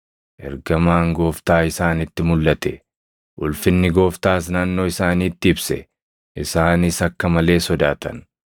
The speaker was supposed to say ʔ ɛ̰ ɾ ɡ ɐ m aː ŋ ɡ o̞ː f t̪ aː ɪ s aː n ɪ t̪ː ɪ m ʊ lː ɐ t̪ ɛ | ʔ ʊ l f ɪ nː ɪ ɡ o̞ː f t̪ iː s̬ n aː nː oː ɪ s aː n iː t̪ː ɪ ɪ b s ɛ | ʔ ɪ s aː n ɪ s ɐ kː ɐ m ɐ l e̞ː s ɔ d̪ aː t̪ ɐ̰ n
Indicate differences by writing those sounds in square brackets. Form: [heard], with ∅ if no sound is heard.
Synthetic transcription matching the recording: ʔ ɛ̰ ɾ ɡ ɐ m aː ŋ ɡ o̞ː f t̪ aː ɪ s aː n ɪ t̪ː ɪ m ʊ lː ɐ t̪ ɛ | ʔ ʊ l f ɪ nː ɪ ɡ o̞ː f t̪ [aː] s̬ n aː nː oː ɪ s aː n iː t̪ː ɪ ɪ b s ɛ | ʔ ɪ s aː n ɪ s ɐ kː ɐ m ɐ l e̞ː s ɔ d̪ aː t̪ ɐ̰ n